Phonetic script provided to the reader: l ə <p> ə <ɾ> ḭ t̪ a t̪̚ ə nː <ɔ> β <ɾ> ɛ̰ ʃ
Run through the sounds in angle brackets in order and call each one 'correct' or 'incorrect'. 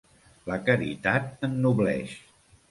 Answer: incorrect: k, correct, incorrect: u, incorrect: l

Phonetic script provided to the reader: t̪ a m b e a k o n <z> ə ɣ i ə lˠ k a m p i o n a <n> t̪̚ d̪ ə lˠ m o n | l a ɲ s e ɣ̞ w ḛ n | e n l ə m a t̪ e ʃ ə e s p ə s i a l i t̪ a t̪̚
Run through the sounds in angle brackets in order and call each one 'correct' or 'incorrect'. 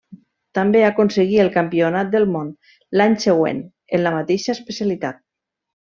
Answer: incorrect: s, incorrect: none

